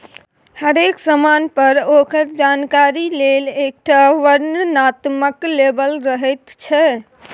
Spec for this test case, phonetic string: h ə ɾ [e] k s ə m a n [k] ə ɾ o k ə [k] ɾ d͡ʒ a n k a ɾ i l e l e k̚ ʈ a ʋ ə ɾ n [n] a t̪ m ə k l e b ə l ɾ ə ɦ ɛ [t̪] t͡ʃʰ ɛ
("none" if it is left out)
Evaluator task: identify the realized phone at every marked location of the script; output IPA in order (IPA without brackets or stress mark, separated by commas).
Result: e, p, none, n, t̪